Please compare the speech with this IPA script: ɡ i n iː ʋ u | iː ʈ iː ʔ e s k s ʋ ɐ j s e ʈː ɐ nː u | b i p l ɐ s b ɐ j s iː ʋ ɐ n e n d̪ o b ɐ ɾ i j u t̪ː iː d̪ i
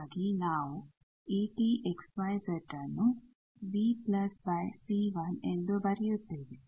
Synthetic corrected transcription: ɡ i n aː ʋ u | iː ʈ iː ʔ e k s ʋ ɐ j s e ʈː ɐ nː u | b i p l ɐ s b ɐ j s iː ʋ ɐ n e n d̪ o b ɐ ɾ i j u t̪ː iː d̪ i